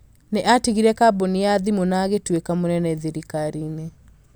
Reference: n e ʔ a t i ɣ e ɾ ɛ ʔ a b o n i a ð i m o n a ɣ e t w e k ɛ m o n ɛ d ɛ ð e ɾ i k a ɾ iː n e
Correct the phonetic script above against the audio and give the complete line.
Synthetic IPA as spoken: n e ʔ a t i ɣ i ɾ ɛ k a b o n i a ð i m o n a ɣ e t w e k a m o n ɛ n ɛ ð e ɾ i k a ɾ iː n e